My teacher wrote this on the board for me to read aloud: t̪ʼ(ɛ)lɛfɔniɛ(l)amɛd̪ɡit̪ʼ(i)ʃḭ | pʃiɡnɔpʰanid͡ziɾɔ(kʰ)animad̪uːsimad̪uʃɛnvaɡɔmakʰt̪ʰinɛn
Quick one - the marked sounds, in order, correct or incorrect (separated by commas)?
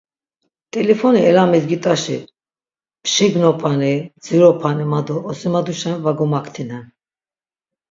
correct, correct, incorrect, incorrect